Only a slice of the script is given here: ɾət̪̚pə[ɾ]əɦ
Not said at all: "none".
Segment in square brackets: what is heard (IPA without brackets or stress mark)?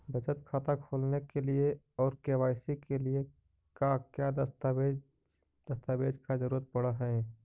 ɽ